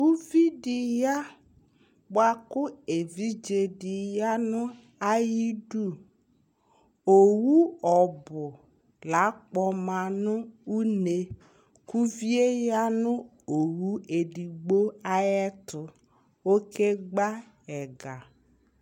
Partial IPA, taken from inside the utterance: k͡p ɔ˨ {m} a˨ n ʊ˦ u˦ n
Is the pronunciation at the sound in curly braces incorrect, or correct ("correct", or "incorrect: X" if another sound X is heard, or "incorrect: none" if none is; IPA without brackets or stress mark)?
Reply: correct